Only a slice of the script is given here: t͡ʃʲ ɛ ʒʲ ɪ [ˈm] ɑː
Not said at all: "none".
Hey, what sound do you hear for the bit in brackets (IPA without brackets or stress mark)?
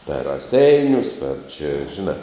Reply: n